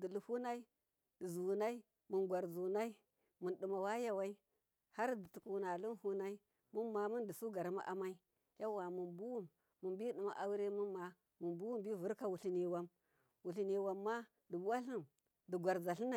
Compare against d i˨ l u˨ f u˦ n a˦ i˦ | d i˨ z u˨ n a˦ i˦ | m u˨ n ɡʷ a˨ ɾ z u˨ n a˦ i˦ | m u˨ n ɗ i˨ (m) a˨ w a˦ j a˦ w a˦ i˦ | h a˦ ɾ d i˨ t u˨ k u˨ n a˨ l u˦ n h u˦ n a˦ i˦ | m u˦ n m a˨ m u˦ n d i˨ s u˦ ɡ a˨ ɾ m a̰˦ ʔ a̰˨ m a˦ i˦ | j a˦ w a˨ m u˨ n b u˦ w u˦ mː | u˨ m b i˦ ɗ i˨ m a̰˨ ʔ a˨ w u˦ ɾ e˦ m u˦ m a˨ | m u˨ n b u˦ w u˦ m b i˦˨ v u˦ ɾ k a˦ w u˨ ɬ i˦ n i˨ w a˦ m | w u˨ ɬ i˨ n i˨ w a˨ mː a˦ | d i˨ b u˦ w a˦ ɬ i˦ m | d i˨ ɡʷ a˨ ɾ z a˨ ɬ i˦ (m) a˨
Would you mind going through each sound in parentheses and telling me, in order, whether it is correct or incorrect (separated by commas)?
correct, incorrect